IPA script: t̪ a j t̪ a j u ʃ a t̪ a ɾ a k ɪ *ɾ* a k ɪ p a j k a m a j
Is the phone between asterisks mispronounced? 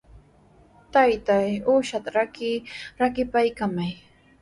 no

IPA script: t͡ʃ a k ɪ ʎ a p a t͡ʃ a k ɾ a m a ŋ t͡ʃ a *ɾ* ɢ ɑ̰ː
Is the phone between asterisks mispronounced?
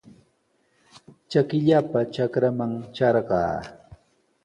no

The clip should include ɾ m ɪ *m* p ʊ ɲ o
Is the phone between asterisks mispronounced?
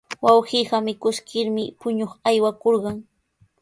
yes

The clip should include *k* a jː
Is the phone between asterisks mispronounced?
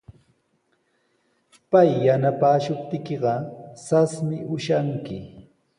yes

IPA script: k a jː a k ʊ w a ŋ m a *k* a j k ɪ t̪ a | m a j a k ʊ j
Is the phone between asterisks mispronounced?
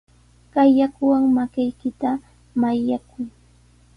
no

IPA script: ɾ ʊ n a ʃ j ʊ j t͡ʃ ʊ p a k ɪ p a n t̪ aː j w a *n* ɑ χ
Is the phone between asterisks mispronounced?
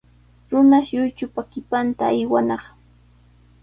no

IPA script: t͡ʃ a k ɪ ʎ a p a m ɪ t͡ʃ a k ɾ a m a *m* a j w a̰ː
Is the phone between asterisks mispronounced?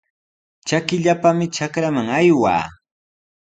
yes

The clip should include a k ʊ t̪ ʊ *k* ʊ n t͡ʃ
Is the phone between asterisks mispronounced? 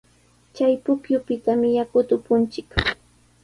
yes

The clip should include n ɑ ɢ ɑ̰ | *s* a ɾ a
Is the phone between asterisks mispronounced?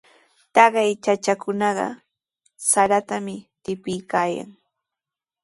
no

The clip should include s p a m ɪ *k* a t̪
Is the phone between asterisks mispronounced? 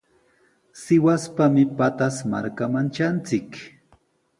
yes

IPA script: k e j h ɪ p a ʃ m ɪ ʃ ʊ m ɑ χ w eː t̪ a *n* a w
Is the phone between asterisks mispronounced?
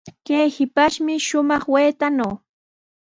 no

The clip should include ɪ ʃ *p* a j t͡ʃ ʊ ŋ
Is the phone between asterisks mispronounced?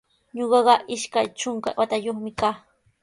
yes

